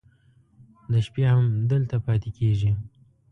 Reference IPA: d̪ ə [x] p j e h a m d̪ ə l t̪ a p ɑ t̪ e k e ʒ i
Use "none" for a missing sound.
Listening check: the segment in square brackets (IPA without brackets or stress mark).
ʃ